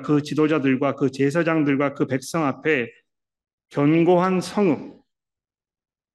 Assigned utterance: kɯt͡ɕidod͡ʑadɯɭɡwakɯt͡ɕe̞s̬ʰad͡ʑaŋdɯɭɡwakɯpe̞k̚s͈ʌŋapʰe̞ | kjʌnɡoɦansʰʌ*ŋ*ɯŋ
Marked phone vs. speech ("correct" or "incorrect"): correct